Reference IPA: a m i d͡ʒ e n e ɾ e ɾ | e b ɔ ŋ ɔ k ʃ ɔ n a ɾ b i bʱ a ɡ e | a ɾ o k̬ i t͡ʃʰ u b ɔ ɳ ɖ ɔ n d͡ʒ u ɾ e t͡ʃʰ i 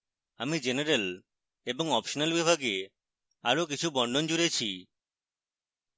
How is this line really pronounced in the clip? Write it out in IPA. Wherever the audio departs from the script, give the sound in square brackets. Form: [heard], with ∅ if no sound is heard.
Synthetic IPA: a m i d͡ʒ e n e ɾ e [l] | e b ɔ ŋ ɔ [p] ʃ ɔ n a [l] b i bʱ a ɡ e | a ɾ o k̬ i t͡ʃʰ u b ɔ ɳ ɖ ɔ n d͡ʒ u ɾ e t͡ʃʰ i